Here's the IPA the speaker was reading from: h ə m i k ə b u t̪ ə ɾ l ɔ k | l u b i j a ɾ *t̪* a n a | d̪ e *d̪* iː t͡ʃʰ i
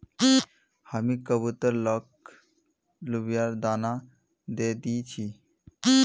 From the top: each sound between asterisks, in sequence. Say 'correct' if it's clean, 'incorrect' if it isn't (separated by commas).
incorrect, correct